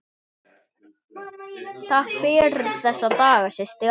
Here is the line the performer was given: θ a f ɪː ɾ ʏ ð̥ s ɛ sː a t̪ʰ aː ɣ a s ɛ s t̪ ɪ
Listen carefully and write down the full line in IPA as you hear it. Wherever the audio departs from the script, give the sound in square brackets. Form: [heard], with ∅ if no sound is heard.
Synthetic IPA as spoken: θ a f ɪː ɾ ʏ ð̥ [θ] ɛ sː a [t̪] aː ɣ a s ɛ s t̪ ɪ